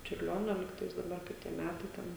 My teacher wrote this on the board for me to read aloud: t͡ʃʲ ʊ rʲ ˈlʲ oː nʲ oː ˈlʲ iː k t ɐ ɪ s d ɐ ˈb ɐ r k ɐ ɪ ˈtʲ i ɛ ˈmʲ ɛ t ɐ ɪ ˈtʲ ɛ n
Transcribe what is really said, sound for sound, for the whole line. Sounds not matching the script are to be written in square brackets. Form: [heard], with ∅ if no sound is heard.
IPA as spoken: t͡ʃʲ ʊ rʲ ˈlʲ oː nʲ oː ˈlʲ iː k t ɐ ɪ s d ɐ ˈb ɐ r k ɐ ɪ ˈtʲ i ɛ ˈmʲ [æ] t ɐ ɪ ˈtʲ ɛ n